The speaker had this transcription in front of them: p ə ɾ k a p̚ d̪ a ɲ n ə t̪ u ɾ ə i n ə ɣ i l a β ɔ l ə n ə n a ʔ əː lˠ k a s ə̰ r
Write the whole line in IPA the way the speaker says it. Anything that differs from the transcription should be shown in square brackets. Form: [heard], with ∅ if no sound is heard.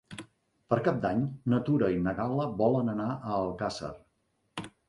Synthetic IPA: p ə ɾ k a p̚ d̪ a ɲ n ə t̪ u ɾ ə i n ə ɣ [a] l [ə] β ɔ l ə n ə n a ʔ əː lˠ k a s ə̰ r